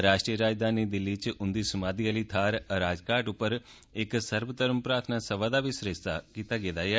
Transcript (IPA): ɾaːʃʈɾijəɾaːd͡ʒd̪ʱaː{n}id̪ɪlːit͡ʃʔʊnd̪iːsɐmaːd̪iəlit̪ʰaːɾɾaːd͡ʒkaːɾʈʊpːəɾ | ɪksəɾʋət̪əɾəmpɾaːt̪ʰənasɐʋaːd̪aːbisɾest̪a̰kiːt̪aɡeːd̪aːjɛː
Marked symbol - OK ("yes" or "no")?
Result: yes